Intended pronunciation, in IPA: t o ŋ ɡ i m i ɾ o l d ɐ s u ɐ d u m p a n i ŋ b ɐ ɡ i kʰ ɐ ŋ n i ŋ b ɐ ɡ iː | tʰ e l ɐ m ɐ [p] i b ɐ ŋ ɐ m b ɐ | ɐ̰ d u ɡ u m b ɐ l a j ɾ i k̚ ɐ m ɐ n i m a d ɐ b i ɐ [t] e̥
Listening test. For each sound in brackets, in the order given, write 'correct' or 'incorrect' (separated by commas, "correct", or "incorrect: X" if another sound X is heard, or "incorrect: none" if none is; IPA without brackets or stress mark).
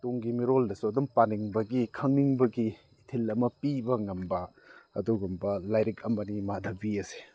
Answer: correct, incorrect: s